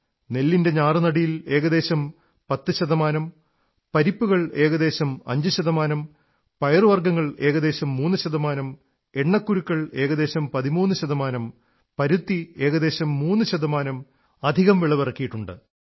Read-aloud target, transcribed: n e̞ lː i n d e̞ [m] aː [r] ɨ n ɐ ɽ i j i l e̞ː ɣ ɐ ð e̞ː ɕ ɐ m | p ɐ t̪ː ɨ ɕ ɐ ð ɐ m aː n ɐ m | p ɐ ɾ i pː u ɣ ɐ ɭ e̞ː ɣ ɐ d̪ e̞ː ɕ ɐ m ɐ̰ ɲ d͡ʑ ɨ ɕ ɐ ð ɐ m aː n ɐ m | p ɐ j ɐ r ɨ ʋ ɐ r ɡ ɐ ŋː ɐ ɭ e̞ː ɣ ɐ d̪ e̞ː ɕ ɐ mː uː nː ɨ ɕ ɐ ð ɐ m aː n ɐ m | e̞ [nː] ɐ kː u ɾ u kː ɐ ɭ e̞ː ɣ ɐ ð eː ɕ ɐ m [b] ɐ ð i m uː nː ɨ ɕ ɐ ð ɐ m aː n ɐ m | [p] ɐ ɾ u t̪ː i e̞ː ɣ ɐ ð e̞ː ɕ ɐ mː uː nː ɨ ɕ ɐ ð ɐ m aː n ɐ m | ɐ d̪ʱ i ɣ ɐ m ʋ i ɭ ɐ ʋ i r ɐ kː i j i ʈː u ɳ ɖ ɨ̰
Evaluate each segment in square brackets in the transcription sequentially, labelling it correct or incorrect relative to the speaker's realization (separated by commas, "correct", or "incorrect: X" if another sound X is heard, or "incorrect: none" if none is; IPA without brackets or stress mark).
incorrect: ɲ, correct, incorrect: ɳː, incorrect: p, correct